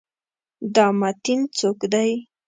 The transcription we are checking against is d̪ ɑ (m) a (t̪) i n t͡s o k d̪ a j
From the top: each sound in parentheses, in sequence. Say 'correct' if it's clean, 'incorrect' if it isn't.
correct, correct

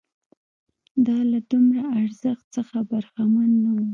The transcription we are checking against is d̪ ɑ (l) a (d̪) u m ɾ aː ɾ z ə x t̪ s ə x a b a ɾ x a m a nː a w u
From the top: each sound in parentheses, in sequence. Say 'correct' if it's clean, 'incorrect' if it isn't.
correct, correct

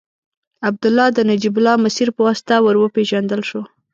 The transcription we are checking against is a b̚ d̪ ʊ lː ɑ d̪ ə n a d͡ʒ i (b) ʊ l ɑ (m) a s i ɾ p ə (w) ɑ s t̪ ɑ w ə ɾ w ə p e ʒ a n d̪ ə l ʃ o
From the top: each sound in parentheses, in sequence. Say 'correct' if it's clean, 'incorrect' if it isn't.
correct, correct, correct

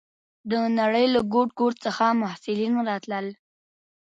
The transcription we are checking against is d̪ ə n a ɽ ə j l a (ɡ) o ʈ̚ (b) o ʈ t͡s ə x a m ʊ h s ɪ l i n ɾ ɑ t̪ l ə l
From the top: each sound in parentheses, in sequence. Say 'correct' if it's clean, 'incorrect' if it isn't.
correct, incorrect

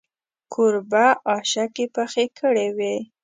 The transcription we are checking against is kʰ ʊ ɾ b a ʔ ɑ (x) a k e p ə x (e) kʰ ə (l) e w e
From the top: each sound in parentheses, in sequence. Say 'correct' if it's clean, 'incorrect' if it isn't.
incorrect, correct, incorrect

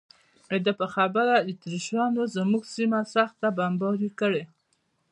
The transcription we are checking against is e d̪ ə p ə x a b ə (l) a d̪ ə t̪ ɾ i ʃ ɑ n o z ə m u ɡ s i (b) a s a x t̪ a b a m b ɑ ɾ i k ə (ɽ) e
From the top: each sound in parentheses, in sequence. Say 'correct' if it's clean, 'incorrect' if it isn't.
incorrect, incorrect, correct

